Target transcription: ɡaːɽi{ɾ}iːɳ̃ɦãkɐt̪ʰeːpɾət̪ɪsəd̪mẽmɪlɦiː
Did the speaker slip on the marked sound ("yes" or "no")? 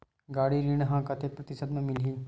no